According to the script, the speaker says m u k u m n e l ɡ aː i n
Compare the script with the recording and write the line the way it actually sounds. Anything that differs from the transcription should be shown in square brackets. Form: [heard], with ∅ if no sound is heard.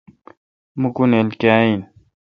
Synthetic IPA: m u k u [∅] n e l [k] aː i n